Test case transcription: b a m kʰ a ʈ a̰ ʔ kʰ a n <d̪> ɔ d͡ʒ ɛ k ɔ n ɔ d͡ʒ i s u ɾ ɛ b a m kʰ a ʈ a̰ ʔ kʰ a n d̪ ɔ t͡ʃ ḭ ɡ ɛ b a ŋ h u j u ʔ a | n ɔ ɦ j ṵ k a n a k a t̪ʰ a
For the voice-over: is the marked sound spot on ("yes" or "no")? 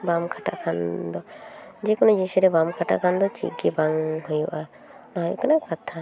yes